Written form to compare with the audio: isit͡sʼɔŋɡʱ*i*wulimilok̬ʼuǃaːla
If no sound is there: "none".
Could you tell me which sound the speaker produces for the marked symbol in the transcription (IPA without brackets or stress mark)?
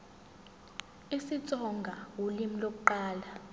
a